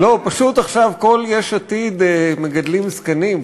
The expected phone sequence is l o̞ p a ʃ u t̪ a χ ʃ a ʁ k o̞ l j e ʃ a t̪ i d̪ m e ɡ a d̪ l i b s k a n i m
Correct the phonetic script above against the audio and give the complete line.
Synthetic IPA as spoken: l o̞ p a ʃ u t̪ a χ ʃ a v k o̞ l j e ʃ a t̪ i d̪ m e ɡ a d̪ l i m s k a n i m